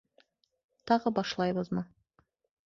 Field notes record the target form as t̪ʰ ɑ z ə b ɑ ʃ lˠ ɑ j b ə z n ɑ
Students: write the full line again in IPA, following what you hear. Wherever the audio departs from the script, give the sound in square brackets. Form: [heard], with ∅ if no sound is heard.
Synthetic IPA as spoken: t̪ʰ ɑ [ʁ] ə b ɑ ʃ lˠ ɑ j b ə z [m] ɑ